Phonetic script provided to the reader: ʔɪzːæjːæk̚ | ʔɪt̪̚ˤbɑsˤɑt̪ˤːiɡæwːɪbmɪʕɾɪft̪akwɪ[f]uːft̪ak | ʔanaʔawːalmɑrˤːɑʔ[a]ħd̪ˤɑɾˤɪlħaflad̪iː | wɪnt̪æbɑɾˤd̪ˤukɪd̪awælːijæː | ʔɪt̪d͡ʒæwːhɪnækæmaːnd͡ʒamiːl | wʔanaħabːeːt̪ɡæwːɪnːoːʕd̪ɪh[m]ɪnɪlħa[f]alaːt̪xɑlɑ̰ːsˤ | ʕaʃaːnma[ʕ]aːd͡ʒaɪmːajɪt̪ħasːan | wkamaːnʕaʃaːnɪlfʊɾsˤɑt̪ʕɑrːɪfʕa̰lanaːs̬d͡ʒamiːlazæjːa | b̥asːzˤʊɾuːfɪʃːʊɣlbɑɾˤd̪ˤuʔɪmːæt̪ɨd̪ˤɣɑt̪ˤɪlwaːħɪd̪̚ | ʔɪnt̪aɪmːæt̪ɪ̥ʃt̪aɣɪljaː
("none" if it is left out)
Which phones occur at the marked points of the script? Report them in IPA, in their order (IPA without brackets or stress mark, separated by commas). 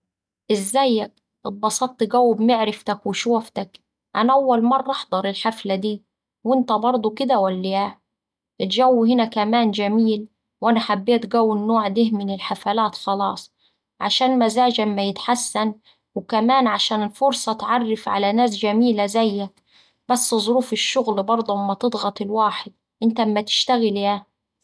ʃ, ɑ, m, f, z